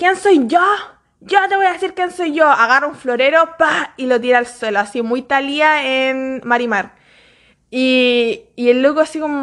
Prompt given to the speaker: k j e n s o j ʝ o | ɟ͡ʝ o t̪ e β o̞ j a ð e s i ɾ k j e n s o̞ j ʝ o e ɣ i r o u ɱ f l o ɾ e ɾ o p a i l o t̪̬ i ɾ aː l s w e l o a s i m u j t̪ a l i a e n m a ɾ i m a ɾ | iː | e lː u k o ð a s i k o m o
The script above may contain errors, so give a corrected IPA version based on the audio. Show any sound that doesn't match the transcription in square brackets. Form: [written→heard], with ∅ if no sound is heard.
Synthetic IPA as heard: k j e n s o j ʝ o | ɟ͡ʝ o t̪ e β o̞ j a ð e s i ɾ k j e n s o̞ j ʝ o [e→a] ɣ [i→a] r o u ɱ f l o ɾ e ɾ o p a i l o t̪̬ i ɾ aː l s w e l o a s i m u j t̪ a l i a e n m a ɾ i m a ɾ | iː | e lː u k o [ð→∅] a s i k o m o